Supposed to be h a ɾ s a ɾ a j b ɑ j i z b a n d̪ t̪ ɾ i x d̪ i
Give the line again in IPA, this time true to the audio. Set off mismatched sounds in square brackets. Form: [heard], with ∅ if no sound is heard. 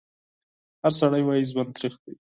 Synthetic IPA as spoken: h a ɾ s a [ɽ] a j [w] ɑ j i z [w] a n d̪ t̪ ɾ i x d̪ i